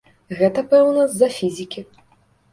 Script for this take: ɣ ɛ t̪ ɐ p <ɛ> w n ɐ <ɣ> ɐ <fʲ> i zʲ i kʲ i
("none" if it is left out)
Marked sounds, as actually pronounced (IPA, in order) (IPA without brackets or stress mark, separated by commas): ɛ, z, fʲ